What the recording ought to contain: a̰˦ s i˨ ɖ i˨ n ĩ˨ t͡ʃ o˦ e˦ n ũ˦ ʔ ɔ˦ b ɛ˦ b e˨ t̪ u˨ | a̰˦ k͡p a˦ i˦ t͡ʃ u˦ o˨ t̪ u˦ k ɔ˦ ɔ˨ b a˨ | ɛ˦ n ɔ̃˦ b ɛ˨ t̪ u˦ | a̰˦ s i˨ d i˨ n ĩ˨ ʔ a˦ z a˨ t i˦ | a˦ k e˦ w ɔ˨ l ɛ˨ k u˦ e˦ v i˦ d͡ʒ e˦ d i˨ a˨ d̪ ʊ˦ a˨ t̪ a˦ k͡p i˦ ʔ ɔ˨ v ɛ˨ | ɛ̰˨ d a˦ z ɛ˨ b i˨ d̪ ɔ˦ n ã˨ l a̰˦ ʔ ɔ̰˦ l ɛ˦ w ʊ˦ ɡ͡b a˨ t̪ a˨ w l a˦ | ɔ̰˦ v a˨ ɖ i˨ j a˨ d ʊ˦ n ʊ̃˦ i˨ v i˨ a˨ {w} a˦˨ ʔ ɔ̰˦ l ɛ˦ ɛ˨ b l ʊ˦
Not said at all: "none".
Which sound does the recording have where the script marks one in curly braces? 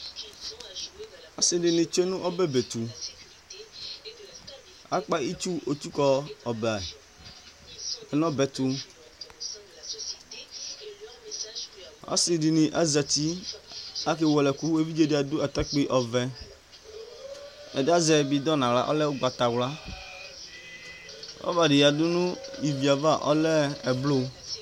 v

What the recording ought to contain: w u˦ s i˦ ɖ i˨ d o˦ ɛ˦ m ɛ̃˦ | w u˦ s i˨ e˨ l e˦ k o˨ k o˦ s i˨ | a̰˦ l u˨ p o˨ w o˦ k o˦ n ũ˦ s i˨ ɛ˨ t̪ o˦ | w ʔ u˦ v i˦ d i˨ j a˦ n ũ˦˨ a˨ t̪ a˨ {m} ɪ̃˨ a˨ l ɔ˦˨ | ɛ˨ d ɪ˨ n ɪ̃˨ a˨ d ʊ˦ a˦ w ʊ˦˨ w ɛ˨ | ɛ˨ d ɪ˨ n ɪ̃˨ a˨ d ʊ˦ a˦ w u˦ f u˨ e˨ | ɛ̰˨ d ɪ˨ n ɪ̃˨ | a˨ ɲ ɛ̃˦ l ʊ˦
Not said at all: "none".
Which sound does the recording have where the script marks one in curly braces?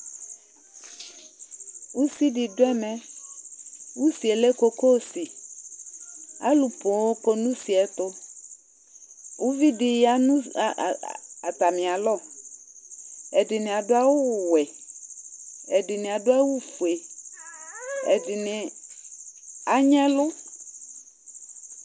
m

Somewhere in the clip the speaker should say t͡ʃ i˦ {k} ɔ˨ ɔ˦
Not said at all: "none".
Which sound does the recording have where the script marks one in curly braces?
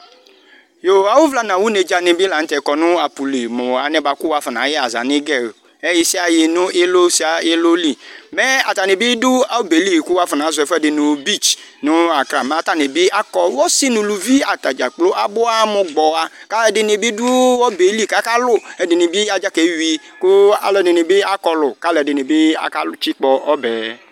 k͡p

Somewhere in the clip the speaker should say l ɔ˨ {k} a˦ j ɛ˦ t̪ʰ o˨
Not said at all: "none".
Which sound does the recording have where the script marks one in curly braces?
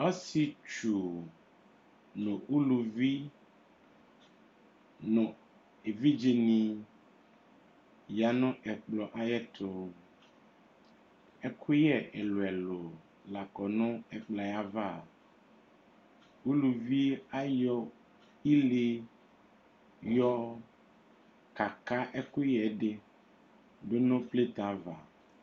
ʔ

